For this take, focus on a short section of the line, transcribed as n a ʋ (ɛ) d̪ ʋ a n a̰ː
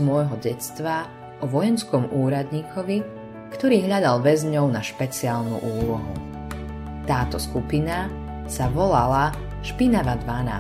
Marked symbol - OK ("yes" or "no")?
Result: no